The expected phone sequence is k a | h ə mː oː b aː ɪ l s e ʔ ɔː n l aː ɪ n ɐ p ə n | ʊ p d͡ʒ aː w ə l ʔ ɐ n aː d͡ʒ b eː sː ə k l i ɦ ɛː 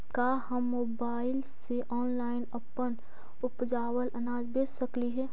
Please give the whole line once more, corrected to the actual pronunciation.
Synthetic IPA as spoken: k a | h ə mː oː b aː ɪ l s e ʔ ɔː n l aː ɪ n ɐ p ə n | ʊ p d͡ʒ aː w ə l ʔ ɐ n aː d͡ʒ b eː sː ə k l i ɦ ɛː